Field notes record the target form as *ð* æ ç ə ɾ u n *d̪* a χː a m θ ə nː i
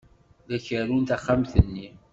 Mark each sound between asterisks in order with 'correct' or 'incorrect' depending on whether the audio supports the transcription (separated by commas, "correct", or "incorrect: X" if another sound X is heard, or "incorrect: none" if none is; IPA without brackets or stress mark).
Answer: correct, incorrect: t̪